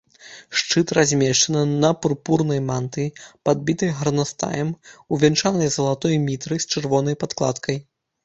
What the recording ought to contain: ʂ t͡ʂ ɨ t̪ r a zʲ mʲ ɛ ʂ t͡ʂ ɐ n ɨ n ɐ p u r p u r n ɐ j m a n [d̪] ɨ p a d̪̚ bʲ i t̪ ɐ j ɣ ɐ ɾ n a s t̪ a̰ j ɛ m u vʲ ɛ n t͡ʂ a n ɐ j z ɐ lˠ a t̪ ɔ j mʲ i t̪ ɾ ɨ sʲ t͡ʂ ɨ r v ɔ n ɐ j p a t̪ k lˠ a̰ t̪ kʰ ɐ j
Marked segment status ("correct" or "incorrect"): incorrect